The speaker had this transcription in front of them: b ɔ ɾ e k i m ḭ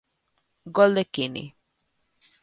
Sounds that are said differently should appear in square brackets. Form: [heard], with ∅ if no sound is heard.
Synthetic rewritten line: [ɡ] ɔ [l] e k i [n] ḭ